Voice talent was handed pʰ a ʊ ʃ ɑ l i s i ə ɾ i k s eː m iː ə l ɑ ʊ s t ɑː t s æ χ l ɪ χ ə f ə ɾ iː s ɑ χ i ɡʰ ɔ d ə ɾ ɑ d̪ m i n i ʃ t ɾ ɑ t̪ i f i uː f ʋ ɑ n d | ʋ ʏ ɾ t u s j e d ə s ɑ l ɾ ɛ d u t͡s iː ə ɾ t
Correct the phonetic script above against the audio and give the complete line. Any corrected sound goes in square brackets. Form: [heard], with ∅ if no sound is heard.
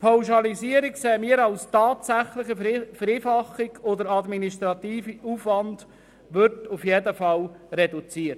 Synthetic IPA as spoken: pʰ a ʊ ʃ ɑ l i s i ə ɾ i k s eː m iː ə [ɾ] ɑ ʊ s t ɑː t s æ χ l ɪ χ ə f ə ɾ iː [f] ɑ χ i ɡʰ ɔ d ə ɾ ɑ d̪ m i n i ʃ t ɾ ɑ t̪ [iː] f i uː f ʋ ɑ n d | ʋ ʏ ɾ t u [f] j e d ə [f] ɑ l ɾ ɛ d u t͡s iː ə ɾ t